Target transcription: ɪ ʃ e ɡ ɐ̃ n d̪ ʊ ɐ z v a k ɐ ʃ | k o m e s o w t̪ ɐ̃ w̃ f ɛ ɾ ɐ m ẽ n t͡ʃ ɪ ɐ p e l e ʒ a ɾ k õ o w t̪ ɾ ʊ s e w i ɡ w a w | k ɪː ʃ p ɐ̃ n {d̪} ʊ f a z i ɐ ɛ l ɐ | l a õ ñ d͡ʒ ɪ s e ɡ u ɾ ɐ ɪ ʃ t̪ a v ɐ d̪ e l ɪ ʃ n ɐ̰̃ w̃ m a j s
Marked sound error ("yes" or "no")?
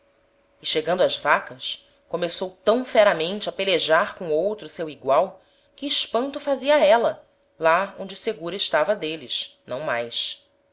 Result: yes